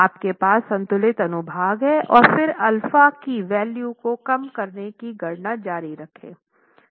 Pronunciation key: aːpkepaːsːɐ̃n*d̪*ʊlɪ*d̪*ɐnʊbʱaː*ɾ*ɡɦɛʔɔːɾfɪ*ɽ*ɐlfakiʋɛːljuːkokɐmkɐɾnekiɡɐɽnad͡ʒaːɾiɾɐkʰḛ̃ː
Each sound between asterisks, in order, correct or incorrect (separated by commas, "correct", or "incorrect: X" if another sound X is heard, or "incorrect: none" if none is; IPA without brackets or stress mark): incorrect: t̪, incorrect: t̪, incorrect: none, incorrect: ɾ